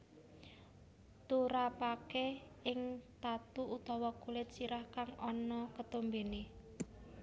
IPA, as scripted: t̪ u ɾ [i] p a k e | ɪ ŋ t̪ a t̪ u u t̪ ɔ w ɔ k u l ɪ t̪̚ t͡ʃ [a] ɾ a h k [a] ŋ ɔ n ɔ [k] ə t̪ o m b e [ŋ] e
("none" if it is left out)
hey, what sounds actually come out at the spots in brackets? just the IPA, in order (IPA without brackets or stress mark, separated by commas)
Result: a, i, a, k, n